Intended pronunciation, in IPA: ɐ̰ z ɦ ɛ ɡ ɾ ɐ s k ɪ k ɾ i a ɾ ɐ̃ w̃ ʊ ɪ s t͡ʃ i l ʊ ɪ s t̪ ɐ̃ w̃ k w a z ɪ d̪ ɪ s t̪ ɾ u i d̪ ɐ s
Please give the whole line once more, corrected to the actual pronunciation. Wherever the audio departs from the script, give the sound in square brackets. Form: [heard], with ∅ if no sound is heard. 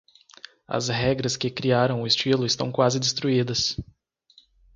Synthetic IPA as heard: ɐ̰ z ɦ ɛ ɡ ɾ ɐ s k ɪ k ɾ i a ɾ ɐ̃ w̃ ʊ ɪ s t͡ʃ i l ʊ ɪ s t̪ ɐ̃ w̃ k w a z ɪ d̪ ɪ s t̪ ɾ u i d̪ ɐ s